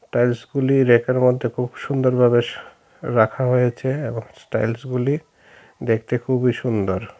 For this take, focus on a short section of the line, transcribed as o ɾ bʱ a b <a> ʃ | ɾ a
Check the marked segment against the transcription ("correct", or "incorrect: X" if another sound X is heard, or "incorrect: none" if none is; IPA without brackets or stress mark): incorrect: e